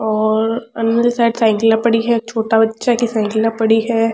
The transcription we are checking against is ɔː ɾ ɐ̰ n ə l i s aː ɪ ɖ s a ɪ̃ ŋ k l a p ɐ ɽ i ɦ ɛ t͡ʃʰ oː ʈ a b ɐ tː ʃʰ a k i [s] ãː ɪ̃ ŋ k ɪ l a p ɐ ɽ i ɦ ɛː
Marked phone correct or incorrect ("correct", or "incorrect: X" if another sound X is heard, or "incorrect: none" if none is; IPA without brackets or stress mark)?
correct